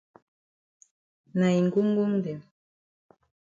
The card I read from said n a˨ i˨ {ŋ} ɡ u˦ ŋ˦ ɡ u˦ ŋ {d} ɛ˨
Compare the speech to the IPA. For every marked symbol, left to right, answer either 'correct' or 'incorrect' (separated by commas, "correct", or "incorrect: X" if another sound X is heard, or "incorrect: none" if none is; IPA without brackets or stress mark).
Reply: correct, correct